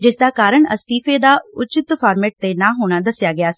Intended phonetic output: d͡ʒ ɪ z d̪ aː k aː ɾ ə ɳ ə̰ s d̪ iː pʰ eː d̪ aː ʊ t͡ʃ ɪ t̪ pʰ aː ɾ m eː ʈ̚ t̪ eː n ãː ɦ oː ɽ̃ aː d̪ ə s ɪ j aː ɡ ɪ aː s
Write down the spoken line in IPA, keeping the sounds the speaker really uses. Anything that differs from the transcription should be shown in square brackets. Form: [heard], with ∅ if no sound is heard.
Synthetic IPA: d͡ʒ ɪ [s] d̪ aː k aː ɾ ə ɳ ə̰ s [t̪] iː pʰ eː d̪ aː ʊ t͡ʃ ɪ t̪ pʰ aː ɾ m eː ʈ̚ t̪ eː n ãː ɦ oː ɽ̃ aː d̪ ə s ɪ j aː ɡ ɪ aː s